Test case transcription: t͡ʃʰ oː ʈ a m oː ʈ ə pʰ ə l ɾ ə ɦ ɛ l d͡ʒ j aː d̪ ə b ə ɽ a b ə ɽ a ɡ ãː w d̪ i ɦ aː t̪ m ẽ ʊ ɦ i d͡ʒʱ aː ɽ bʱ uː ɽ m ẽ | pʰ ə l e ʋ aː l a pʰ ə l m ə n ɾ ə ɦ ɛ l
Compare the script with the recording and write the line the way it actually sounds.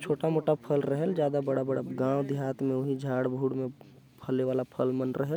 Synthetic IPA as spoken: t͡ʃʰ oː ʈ a m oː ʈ a pʰ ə l ɾ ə ɦ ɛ l d͡ʒ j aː d̪ a b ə ɽ a b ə ɽ a ɡ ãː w d̪ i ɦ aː t̪ m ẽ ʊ ɦ i d͡ʒʱ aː ɽ bʱ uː ɽ m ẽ | pʰ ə l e ʋ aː l a pʰ ə l m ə n ɾ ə ɦ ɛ l